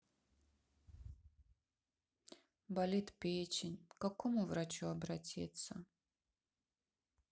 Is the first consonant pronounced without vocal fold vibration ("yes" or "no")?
no